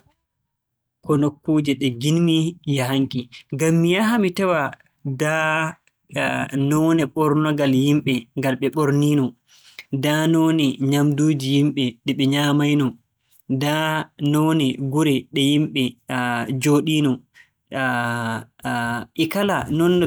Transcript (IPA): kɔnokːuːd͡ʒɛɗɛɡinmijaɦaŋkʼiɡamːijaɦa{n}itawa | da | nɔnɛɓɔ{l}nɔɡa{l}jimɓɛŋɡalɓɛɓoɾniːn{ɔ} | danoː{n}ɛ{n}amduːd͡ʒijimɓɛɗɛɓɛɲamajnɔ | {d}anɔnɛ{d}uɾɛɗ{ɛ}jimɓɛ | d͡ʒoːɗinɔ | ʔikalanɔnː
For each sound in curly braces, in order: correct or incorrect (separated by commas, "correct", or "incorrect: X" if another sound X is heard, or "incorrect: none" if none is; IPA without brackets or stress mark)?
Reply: incorrect: m, incorrect: ɾ, correct, correct, correct, incorrect: ɲ, correct, incorrect: ɡ, correct